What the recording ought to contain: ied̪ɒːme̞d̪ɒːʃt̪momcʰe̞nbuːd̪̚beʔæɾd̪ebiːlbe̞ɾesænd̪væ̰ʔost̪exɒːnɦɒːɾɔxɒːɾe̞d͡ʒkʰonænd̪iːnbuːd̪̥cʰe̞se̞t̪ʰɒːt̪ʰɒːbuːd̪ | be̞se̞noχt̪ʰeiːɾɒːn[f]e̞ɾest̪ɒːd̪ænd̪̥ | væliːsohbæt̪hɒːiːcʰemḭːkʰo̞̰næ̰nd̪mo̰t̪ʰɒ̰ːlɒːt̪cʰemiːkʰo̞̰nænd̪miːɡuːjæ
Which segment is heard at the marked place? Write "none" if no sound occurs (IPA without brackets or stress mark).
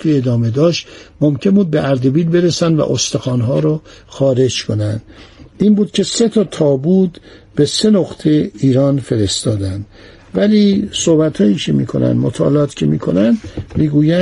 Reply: f